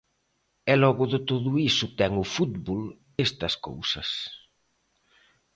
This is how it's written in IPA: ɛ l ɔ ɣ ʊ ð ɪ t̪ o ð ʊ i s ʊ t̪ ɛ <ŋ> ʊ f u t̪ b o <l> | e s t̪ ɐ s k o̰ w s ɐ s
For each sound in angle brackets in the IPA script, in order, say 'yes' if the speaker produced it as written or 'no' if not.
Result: yes, yes

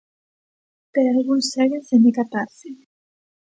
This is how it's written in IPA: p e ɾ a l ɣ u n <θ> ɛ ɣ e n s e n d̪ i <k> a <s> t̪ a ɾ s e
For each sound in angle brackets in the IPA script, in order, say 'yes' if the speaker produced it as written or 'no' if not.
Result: no, yes, no

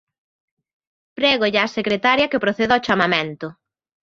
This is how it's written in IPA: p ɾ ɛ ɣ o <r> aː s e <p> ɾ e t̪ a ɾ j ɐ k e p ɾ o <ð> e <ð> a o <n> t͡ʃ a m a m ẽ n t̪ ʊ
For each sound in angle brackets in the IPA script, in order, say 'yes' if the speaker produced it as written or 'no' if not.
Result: no, no, no, yes, no

